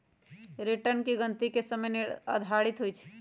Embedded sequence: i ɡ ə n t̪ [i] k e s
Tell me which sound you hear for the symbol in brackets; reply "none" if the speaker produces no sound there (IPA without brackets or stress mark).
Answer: i